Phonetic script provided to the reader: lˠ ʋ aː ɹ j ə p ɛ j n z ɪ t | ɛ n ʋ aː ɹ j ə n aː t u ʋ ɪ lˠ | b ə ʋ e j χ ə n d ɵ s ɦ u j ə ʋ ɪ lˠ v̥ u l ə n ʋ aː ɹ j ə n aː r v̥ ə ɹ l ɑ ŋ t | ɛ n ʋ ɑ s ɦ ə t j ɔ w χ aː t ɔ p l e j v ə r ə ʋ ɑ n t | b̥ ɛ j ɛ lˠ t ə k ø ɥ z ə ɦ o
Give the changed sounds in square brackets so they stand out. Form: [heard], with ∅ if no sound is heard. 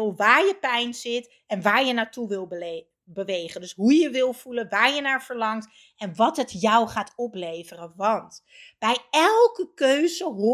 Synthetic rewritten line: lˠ ʋ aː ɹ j ə p ɛ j n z ɪ t | ɛ n ʋ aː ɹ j ə n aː t u ʋ ɪ lˠ | b ə ʋ e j χ ə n d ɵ s ɦ u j ə ʋ ɪ lˠ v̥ u l ə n ʋ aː ɹ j ə n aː [ɹ] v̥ ə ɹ l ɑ ŋ t | ɛ n ʋ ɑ [t] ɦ ə t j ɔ w χ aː t ɔ p l e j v ə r ə ʋ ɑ n t | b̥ ɛ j ɛ lˠ [k] ə k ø ɥ z ə ɦ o